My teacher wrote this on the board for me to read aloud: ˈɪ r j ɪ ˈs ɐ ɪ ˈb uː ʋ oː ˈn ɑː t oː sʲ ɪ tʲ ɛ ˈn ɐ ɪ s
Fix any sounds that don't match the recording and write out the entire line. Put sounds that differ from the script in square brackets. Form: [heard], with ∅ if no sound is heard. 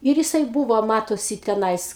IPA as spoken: ˈɪ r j ɪ ˈs ɐ ɪ ˈb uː ʋ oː [ˈm] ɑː t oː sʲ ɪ tʲ ɛ ˈn ɐ ɪ s